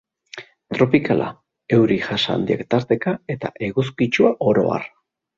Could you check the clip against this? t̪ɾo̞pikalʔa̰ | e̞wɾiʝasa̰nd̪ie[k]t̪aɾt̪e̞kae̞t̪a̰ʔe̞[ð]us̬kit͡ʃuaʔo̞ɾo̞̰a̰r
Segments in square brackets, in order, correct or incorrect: correct, incorrect

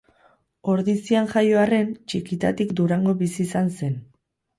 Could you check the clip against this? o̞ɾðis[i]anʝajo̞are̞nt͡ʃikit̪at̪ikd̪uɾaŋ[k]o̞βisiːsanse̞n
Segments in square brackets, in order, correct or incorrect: correct, incorrect

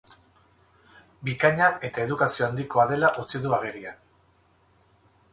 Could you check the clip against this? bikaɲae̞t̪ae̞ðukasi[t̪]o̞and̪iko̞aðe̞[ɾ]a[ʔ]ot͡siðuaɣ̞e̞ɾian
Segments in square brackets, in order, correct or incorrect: incorrect, incorrect, correct

